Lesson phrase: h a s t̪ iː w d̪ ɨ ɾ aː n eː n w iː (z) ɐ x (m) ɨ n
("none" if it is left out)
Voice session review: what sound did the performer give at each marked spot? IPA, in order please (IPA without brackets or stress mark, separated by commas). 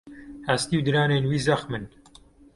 z, m